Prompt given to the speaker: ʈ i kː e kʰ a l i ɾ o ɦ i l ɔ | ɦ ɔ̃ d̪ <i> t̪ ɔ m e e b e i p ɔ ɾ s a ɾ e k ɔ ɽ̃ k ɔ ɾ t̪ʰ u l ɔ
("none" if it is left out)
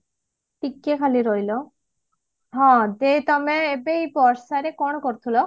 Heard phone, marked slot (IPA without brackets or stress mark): e